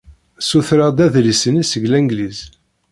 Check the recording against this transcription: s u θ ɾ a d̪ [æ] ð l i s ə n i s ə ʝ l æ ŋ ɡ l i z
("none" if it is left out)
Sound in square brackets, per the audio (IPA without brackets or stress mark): æ